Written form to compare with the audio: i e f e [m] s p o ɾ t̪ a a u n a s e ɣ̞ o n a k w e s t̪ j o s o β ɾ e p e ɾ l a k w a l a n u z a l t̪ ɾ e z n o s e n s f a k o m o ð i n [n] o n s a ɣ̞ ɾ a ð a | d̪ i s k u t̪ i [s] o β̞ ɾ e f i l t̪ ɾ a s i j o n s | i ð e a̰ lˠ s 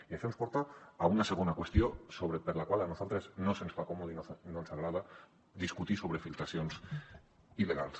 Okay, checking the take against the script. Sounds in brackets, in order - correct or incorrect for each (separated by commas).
correct, correct, correct